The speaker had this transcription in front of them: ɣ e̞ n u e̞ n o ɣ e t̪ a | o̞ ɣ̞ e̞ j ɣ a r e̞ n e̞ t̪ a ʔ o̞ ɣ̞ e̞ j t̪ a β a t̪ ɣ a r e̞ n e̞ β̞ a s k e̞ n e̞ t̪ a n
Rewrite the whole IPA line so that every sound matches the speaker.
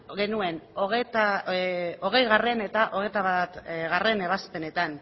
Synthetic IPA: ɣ e̞ n u e̞ n o ɣ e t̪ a | o̞ ɣ̞ e̞ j ɣ a r e̞ n e̞ t̪ a ʔ o̞ ɣ̞ e̞ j t̪ a β a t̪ ɣ a r e̞ n e̞ β̞ a s p e̞ n e̞ t̪ a n